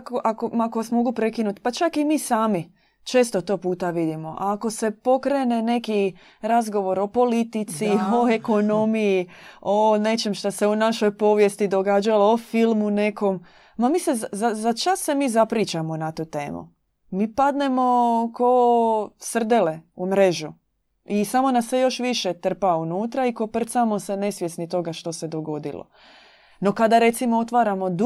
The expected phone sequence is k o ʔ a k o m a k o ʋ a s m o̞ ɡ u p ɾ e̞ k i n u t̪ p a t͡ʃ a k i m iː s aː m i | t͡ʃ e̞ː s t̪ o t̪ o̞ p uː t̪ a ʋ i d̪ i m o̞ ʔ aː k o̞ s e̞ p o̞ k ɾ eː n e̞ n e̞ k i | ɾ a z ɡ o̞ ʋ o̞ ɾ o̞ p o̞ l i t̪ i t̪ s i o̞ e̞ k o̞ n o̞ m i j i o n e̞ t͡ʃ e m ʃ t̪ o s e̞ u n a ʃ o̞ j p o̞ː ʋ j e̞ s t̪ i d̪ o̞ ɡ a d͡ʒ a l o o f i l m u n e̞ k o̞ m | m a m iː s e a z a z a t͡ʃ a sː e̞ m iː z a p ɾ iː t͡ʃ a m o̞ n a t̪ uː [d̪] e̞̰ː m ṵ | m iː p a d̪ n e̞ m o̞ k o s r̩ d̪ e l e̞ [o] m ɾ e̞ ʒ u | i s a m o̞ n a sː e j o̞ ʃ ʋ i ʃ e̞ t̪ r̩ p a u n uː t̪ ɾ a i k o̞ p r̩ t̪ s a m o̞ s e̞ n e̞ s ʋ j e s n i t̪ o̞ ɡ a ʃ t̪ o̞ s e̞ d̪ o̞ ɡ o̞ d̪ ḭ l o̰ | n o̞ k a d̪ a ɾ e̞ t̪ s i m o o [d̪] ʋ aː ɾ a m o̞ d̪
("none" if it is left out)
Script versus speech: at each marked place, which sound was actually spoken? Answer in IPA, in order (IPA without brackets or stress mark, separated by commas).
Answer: t̪, u, t̪